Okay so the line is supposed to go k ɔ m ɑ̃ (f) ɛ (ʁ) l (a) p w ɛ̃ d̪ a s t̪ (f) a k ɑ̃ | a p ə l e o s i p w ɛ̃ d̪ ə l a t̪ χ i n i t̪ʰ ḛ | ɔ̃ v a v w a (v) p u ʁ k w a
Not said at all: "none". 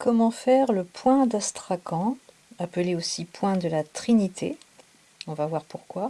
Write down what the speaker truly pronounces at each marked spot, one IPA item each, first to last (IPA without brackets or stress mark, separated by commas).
f, ʁ, ə, χ, ʁ